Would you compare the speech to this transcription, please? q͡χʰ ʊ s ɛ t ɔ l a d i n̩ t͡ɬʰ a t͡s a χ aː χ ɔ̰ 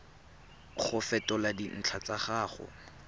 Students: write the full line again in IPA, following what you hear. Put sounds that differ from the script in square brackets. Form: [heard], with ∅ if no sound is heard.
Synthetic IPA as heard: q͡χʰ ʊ [f] ɛ t ɔ l a d i n̩ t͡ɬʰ a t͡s a χ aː χ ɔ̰